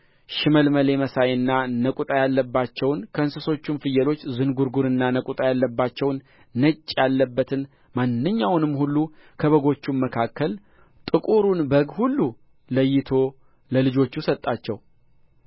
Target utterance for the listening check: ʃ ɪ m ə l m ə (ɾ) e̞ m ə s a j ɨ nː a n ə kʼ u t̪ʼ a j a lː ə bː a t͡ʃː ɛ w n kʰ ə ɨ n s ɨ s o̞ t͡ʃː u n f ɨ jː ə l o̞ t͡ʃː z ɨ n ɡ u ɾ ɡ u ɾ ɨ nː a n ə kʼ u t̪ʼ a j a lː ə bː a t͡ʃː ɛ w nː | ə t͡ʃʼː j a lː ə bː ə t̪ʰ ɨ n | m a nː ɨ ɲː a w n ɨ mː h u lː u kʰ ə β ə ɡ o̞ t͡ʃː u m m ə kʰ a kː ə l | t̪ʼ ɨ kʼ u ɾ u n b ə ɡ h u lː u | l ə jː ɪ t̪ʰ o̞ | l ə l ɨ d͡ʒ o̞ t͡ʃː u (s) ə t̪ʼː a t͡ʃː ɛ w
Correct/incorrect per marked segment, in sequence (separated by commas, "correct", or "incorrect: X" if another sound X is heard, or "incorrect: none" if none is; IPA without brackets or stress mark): incorrect: l, correct